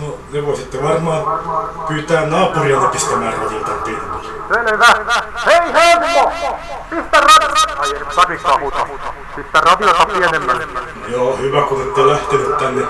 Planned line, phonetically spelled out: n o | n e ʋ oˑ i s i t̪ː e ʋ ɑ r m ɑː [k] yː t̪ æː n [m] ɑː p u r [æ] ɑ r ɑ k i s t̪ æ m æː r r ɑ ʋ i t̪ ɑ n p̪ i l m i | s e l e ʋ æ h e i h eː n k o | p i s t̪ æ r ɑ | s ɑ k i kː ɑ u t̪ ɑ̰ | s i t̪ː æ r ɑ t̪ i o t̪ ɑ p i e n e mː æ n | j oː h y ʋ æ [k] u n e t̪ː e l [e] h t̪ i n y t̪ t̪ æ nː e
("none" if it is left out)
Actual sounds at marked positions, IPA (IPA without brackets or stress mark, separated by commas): p, n, i, k, æ